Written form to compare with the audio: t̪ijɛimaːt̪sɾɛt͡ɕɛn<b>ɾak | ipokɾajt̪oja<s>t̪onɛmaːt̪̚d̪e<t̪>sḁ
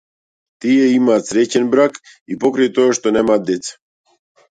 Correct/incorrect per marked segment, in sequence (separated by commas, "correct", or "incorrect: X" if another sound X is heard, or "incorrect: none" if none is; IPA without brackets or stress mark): correct, incorrect: ʃ, correct